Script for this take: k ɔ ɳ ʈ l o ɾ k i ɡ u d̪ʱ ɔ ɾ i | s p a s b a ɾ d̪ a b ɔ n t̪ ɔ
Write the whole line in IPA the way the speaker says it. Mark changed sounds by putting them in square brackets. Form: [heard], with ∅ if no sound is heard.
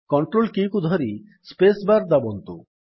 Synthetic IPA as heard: k ɔ ɳ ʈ [ɾ] o [l] k i [k] u d̪ʱ ɔ ɾ i | s p [e] s b a ɾ d̪ a b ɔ n t̪ [u]